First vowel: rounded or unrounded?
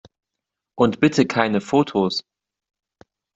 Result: rounded